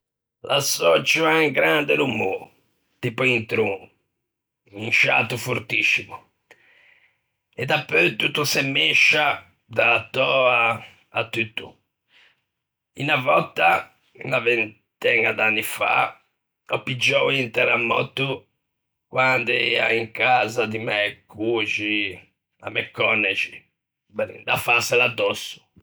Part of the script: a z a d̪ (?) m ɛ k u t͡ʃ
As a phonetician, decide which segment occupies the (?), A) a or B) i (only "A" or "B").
B